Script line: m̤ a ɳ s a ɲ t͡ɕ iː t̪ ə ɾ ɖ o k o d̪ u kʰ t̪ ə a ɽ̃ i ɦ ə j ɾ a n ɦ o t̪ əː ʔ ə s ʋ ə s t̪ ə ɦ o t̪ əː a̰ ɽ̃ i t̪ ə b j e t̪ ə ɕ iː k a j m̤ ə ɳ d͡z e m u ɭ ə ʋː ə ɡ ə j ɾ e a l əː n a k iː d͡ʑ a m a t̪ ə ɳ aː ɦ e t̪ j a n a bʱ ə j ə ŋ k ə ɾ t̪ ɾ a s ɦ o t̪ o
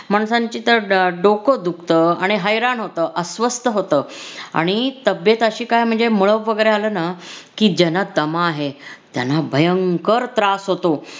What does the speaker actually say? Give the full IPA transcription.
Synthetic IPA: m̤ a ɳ s a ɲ t͡ɕ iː t̪ ə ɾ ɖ o k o d̪ u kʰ t̪ ə a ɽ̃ i ɦ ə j ɾ a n ɦ o t̪ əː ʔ ə s ʋ ə s t̪ ə ɦ o t̪ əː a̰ ɽ̃ i t̪ ə b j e t̪ ə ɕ iː k a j m̤ ə ɳ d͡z e m u ɭ ə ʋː ə ɡ ə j ɾ e a l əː n a k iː d͡ʑ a n a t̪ ə m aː ɦ e t̪ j a n a bʱ ə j ə ŋ k ə ɾ t̪ ɾ a s ɦ o t̪ o